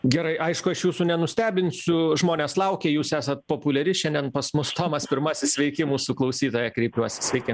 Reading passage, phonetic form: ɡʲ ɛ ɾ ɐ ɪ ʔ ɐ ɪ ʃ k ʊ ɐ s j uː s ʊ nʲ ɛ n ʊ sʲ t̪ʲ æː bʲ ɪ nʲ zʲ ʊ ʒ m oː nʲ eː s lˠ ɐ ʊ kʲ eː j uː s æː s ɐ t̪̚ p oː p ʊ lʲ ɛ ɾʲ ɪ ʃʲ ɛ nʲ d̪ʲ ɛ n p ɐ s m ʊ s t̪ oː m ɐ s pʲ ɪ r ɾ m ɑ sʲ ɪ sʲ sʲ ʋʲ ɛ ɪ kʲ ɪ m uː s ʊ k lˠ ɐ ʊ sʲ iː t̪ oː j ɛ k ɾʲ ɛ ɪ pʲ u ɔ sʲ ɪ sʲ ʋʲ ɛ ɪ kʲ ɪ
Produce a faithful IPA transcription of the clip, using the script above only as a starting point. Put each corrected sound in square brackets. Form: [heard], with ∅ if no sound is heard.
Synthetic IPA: ɡʲ ɛ ɾ ɐ ɪ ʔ ɐ ɪ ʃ k ʊ ɐ [ʃ] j uː s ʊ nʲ ɛ n ʊ sʲ t̪ʲ æː bʲ ɪ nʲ [sʲ] ʊ ʒ m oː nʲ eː s lˠ ɐ ʊ kʲ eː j uː s æː s ɐ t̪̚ p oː p ʊ lʲ ɛ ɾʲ ɪ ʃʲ ɛ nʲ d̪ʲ ɛ n p ɐ s m ʊ s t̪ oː m ɐ s pʲ ɪ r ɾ m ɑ sʲ ɪ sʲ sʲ ʋʲ ɛ ɪ kʲ ɪ m uː s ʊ k lˠ ɐ ʊ sʲ iː t̪ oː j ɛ k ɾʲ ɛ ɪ pʲ u ɔ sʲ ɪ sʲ ʋʲ ɛ ɪ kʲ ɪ